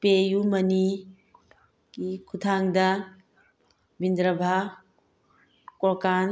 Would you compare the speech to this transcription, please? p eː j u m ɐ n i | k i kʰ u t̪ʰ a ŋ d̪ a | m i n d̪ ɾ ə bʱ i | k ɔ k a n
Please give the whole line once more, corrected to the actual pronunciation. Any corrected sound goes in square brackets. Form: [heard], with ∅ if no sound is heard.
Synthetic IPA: p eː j u m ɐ n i | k i kʰ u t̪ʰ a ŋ d̪ a | [b] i n d̪ ɾ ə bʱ [a] | k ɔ k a n